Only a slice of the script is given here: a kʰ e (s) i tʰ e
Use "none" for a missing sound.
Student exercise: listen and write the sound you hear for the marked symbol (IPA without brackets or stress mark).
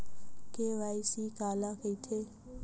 none